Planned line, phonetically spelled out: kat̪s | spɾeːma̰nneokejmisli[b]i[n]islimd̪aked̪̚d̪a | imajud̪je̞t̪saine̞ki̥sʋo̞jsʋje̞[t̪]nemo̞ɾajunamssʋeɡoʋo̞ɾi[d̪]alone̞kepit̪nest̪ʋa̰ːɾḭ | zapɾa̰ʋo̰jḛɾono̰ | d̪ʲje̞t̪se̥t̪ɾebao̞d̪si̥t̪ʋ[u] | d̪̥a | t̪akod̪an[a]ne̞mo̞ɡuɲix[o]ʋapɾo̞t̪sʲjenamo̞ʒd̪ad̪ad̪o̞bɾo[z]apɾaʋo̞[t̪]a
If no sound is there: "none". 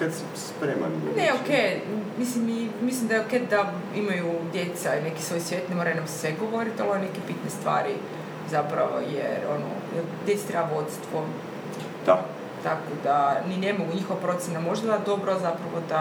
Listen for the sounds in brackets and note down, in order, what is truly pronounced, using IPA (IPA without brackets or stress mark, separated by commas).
m, m, t̪, t̪, o, i, o, z, d̪